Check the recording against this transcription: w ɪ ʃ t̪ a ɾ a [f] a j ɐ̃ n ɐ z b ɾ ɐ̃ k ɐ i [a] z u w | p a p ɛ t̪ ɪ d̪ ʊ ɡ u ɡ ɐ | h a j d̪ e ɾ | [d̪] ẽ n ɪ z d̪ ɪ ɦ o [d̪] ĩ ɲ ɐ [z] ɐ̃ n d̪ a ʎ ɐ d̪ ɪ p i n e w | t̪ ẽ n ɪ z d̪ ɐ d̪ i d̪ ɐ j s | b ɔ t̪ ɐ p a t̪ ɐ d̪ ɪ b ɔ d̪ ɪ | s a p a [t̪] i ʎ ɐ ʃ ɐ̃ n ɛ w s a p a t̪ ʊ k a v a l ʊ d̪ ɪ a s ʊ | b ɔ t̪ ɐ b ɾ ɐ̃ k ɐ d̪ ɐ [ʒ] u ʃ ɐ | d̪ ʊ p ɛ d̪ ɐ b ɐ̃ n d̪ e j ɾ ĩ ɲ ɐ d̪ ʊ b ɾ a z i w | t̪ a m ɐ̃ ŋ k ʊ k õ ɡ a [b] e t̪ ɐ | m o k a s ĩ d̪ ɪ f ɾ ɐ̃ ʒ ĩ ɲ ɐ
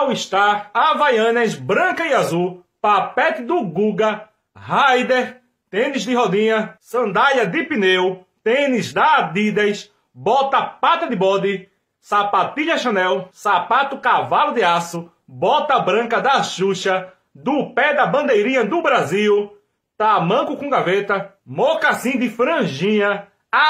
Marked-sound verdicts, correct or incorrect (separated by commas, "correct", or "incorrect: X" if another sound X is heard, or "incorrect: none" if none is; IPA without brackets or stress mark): incorrect: v, correct, incorrect: t̪, correct, incorrect: s, correct, incorrect: ʃ, incorrect: v